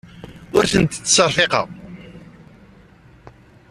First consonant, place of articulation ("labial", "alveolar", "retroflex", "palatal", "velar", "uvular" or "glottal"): alveolar